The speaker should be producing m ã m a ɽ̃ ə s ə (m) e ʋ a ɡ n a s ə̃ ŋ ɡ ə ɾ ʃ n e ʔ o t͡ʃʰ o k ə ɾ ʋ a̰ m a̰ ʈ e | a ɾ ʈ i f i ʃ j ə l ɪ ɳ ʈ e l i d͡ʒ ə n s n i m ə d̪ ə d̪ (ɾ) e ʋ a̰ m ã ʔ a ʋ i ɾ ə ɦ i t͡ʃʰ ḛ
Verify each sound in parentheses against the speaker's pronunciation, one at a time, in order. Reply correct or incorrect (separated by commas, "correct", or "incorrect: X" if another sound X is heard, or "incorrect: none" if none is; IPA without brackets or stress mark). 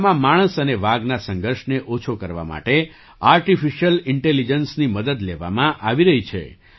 incorrect: n, incorrect: l